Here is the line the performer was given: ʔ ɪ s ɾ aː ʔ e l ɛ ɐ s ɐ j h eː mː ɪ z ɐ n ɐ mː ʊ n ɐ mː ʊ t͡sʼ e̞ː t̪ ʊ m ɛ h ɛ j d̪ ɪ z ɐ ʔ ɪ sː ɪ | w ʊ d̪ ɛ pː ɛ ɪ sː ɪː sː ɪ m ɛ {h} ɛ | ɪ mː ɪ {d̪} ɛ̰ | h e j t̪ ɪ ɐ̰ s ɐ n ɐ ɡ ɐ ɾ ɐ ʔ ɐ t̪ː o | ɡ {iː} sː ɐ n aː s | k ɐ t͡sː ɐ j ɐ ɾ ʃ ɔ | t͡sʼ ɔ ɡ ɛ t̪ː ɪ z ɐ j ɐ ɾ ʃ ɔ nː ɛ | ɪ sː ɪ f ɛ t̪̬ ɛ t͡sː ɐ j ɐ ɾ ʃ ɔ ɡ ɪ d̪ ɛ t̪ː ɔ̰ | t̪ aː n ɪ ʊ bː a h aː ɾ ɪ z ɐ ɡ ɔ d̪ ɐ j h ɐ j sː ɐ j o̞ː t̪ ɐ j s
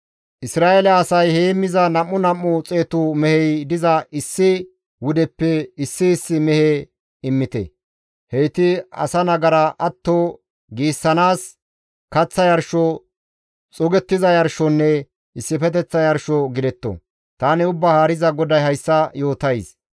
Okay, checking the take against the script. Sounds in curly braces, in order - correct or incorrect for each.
correct, incorrect, correct

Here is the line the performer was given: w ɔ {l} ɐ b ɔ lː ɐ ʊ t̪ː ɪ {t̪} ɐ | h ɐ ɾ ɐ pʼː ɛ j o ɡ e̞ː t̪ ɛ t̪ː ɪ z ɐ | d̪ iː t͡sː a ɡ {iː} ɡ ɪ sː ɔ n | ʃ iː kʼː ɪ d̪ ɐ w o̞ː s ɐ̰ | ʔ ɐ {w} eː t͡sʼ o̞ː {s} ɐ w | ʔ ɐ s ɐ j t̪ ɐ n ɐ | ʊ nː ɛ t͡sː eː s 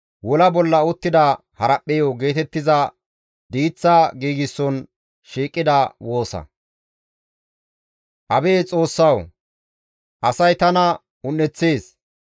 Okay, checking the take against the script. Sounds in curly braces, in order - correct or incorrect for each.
correct, incorrect, correct, incorrect, incorrect

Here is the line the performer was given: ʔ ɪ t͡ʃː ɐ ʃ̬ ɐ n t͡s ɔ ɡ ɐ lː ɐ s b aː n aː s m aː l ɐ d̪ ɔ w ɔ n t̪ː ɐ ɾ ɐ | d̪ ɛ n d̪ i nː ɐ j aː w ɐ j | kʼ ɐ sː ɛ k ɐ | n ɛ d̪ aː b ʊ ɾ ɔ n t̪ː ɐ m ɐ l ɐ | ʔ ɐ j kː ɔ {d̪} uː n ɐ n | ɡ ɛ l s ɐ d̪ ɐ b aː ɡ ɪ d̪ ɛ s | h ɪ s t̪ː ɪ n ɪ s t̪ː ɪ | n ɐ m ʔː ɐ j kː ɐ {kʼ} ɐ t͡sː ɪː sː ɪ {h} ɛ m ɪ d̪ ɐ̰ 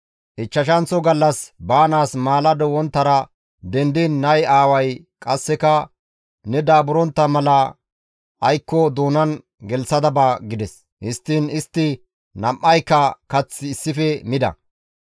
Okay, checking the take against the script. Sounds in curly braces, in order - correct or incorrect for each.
correct, incorrect, incorrect

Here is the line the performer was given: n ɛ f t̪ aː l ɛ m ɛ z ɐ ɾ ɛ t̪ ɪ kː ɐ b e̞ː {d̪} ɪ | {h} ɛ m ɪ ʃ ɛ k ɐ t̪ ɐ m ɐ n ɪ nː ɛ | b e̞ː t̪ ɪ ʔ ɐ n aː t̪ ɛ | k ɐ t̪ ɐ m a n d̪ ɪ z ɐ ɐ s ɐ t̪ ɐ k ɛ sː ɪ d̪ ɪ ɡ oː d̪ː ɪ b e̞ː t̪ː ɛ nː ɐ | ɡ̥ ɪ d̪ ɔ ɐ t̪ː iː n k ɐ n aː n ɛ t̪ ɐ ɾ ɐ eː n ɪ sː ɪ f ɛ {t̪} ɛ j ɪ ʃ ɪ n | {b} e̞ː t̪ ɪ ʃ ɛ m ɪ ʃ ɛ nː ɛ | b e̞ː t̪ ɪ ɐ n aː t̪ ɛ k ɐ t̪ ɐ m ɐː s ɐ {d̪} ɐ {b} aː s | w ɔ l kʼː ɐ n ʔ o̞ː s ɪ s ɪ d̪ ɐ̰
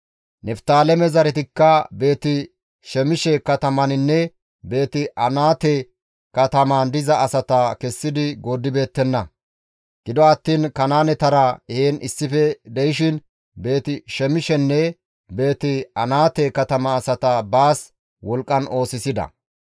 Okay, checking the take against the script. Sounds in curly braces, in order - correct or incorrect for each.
incorrect, incorrect, incorrect, correct, incorrect, correct

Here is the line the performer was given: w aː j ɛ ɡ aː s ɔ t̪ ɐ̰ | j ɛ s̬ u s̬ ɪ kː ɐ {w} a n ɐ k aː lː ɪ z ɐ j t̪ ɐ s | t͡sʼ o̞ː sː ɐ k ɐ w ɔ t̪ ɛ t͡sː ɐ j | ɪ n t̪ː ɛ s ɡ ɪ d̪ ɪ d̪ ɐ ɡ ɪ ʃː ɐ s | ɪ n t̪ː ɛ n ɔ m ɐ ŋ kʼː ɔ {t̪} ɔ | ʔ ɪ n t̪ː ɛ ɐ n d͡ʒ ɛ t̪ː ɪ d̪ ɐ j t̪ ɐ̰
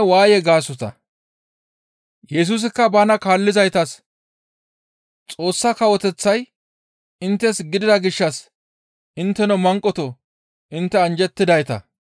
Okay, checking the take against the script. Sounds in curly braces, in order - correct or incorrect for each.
incorrect, correct

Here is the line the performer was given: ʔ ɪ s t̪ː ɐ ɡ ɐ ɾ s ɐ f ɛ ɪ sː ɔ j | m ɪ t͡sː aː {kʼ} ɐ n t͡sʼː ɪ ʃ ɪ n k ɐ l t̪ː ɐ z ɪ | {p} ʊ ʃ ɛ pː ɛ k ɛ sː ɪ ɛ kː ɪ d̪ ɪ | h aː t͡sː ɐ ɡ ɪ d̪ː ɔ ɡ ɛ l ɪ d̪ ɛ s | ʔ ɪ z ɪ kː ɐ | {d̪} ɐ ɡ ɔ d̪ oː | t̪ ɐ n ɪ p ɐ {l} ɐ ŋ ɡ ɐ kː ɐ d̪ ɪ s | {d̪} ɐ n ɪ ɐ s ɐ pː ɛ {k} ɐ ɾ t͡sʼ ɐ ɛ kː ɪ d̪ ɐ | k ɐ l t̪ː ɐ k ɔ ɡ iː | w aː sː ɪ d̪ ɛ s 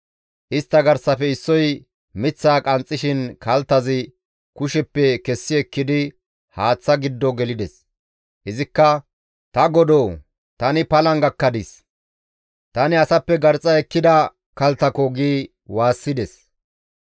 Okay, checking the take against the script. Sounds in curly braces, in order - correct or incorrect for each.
correct, incorrect, incorrect, correct, incorrect, incorrect

